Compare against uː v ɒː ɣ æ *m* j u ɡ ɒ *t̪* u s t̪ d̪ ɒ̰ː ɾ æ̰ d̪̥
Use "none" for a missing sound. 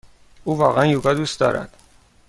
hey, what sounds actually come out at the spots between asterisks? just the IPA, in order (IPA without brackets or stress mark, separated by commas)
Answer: n, d̪